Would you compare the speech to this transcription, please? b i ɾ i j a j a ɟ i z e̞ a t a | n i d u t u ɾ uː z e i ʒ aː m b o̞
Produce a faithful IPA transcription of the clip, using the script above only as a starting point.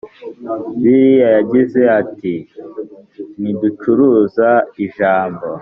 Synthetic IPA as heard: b i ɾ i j a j a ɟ i z e̞ a t i | n i d u t͡ʃ u ɾ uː z a i ʒ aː m b o̞